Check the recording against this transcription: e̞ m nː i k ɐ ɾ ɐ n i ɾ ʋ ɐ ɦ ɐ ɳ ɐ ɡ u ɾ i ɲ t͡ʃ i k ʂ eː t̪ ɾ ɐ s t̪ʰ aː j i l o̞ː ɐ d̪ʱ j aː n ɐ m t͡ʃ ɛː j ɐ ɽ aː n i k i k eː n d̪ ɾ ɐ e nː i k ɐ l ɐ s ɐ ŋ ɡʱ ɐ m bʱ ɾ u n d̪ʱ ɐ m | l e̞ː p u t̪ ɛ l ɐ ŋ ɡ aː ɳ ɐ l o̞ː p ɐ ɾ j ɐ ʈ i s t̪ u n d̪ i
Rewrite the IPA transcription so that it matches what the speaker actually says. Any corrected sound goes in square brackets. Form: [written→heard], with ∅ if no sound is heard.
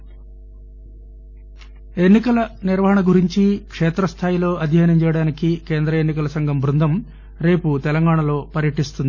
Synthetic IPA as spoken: e̞ [m→∅] nː i k ɐ [ɾ→l] ɐ n i ɾ ʋ ɐ ɦ ɐ ɳ ɐ ɡ u ɾ i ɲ t͡ʃ i k ʂ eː t̪ ɾ ɐ s t̪ʰ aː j i l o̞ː ɐ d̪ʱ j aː n ɐ m t͡ʃ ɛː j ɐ ɽ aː n i k i k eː n d̪ ɾ ɐ e nː i k ɐ l ɐ s ɐ ŋ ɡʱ ɐ m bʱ ɾ u n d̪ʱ ɐ m | [l→ɾ] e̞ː p u t̪ ɛ l ɐ ŋ ɡ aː ɳ ɐ l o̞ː p ɐ ɾ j ɐ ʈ i s t̪ u n d̪ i